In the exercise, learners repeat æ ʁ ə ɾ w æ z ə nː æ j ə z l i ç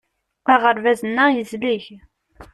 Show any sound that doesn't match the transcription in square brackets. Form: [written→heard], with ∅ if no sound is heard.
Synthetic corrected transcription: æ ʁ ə ɾ [w→v] æ z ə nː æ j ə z l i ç